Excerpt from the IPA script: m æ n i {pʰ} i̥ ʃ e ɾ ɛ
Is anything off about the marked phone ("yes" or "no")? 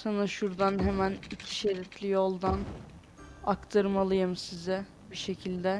yes